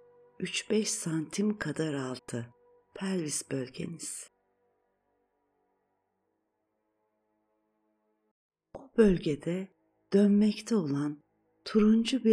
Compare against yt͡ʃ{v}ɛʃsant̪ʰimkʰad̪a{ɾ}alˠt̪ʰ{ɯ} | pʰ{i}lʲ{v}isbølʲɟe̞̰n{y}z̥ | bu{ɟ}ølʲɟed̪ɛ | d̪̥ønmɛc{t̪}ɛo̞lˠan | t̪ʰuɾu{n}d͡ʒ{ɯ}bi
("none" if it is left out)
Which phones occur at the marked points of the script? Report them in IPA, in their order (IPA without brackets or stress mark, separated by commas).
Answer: b, ɾ, ɯ, æ, v, i, b, t̪ʰ, n, u